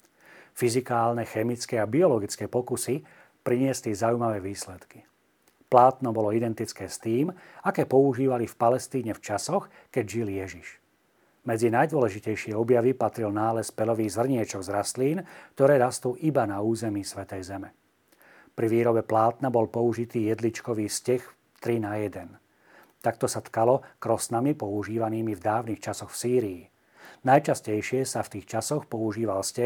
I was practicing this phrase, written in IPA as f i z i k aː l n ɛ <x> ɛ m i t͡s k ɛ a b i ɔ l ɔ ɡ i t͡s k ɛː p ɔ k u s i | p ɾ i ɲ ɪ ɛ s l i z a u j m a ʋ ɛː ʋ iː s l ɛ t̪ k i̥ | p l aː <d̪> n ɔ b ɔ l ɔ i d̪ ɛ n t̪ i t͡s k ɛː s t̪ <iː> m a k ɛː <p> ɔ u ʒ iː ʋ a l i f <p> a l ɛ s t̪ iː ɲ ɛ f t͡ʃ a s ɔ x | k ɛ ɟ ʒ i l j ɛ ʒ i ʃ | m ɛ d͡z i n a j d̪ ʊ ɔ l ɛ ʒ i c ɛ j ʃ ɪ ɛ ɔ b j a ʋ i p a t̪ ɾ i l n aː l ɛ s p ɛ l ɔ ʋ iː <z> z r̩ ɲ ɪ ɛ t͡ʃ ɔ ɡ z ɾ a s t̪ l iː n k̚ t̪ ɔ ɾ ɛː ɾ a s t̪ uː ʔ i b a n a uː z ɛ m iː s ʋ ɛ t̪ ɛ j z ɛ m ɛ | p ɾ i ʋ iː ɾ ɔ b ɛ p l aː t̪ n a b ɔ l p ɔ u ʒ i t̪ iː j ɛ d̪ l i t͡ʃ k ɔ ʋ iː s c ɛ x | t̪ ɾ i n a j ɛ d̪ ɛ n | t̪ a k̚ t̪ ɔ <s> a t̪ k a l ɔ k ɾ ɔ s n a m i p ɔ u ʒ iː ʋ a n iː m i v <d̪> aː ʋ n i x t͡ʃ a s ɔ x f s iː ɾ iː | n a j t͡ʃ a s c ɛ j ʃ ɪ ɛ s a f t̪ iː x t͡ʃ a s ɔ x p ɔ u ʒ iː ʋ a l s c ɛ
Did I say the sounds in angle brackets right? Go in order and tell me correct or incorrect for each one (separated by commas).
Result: correct, incorrect, correct, correct, correct, incorrect, correct, correct